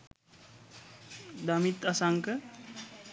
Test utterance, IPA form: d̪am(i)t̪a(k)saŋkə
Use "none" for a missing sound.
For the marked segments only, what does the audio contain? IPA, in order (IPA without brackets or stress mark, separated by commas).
i, none